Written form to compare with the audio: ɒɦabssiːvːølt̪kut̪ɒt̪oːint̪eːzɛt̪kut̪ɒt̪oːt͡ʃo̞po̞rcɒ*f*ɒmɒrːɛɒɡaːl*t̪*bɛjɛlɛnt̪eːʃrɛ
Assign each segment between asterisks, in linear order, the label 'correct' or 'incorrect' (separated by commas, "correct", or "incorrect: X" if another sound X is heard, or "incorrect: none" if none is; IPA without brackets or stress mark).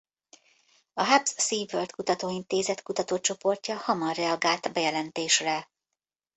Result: incorrect: h, correct